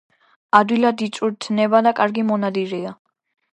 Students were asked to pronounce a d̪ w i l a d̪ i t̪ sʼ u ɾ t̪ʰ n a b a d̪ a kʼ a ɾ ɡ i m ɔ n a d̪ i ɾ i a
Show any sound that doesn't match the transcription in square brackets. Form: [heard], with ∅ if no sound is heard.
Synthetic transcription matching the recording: a d̪ w i l a d̪ i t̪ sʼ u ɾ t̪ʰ n [ɛ] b a d̪ a kʼ a ɾ ɡ i m ɔ n a d̪ i ɾ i a

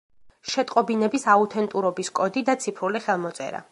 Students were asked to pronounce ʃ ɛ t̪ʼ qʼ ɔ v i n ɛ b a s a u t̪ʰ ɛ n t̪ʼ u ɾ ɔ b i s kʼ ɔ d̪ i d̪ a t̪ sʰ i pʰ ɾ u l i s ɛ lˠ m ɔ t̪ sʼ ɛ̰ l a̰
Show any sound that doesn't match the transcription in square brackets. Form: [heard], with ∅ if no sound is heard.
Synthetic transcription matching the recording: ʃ ɛ t̪ʼ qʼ ɔ [b] i n ɛ b [i] s a u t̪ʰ ɛ n t̪ʼ u ɾ ɔ b i s kʼ ɔ d̪ i d̪ a t̪ sʰ i pʰ ɾ u l i [χ] ɛ lˠ m ɔ t̪ sʼ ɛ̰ [ɾ] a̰

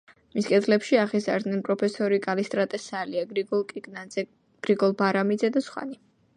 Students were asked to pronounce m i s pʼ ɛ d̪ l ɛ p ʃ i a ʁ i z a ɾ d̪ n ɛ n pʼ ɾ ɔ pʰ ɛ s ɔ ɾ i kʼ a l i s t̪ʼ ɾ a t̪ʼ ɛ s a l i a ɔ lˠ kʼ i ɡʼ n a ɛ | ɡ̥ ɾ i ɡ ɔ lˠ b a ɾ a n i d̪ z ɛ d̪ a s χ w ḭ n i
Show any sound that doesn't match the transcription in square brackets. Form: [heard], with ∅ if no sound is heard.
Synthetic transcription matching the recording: m i s [kʼ] ɛ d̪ l ɛ p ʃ i a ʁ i z a ɾ d̪ n ɛ n pʼ ɾ ɔ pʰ ɛ s ɔ ɾ i kʼ a l i s t̪ʼ ɾ a t̪ʼ ɛ s a l i a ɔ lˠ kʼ i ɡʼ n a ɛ | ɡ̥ ɾ i ɡ ɔ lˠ b a ɾ a [m] i d̪ z ɛ d̪ a s χ w [a̰] n i

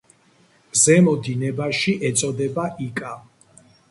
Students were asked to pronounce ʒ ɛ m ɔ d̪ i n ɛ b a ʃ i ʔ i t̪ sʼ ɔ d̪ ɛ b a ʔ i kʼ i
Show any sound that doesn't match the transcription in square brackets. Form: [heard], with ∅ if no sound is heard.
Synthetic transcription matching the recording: [z] ɛ m ɔ d̪ i n ɛ b a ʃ i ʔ [ɛ] t̪ sʼ ɔ d̪ ɛ b a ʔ i kʼ [a]

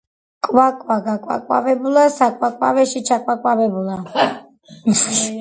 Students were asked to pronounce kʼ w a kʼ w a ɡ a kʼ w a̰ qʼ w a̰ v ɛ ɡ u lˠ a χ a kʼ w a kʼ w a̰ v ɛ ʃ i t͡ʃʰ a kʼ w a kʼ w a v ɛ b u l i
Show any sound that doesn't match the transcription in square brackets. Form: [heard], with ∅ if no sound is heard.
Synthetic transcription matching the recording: kʼ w a kʼ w a ɡ a kʼ w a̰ [kʼ] w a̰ v ɛ [b] u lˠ a [s] a kʼ w a kʼ w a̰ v ɛ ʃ i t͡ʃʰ a kʼ w a kʼ w a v ɛ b u l [a]

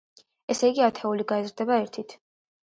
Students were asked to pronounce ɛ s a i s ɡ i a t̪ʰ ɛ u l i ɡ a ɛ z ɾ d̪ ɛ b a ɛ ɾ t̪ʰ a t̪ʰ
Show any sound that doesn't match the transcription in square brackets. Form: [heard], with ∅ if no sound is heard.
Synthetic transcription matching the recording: ɛ s [ɛ] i [∅] ɡ i a t̪ʰ ɛ u l i ɡ a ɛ z ɾ d̪ ɛ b a ɛ ɾ t̪ʰ [i] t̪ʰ

